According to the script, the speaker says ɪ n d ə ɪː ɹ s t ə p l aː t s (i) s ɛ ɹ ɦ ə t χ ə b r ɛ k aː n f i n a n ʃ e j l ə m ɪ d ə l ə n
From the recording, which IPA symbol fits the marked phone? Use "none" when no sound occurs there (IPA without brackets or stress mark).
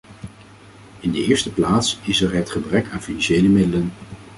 ɪ